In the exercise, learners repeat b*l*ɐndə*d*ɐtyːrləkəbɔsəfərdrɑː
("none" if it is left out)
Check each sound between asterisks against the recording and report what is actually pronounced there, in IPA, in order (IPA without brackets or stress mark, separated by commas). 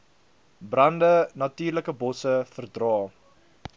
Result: r, n